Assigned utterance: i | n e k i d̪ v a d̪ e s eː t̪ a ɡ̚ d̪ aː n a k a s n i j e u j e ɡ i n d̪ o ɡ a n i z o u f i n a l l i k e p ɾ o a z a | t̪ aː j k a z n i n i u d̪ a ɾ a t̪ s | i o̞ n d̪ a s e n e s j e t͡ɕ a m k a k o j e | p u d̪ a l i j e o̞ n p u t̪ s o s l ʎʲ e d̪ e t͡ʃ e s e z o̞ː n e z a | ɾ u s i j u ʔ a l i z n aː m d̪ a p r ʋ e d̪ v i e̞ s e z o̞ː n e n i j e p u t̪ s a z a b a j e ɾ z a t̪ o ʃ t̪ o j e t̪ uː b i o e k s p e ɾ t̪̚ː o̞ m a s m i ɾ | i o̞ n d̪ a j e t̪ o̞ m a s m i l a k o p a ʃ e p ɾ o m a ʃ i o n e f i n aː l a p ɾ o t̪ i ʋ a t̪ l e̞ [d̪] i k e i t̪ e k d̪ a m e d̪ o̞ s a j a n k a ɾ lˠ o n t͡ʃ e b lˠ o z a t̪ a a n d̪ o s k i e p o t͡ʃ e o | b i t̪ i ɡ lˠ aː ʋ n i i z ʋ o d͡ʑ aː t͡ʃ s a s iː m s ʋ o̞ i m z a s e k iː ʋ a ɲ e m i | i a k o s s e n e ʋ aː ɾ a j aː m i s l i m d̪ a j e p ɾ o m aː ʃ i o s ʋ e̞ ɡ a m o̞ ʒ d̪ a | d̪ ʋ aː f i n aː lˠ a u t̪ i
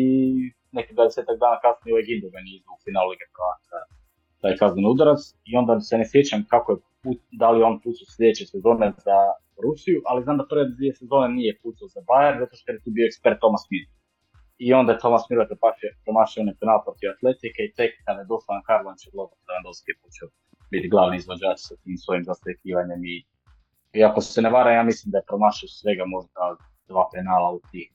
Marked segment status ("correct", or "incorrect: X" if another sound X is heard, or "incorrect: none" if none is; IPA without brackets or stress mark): incorrect: t̪